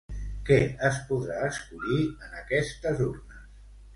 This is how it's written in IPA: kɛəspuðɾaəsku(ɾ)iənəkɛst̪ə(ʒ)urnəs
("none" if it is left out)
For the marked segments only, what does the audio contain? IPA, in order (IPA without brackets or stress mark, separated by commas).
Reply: ʎ, z